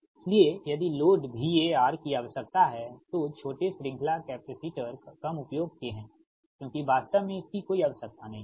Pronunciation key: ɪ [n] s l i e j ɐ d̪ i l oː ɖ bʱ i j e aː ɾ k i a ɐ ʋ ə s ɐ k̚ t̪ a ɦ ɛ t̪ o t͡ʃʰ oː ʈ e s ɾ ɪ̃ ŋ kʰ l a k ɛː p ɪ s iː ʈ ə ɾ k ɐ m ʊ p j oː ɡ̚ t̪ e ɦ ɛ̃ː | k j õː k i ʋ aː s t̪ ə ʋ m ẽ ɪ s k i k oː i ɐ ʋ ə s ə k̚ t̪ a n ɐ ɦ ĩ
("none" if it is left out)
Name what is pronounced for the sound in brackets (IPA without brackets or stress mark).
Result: none